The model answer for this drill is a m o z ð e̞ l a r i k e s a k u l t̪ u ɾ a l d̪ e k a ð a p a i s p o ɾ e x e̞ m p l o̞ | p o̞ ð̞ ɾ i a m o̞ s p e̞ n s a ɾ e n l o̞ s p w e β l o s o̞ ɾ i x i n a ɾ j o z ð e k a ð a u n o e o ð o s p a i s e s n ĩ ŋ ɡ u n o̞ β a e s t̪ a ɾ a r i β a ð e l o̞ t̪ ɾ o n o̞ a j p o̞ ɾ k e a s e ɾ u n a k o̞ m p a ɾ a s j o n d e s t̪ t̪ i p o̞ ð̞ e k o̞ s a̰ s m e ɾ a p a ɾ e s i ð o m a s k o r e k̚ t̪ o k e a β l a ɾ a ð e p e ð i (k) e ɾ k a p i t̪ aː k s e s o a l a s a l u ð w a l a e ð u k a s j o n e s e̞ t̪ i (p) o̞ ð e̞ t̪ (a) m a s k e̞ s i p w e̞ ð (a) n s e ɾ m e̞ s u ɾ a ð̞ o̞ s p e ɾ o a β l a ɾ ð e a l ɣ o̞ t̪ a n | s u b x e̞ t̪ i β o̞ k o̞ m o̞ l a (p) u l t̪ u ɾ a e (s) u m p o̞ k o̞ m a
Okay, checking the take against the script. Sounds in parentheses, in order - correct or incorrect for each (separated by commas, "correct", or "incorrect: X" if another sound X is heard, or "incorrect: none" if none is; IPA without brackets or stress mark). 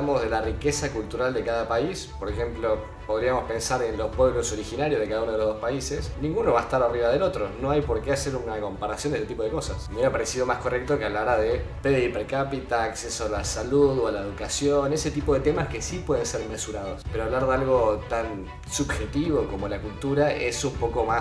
incorrect: p, correct, incorrect: e, incorrect: e, incorrect: k, correct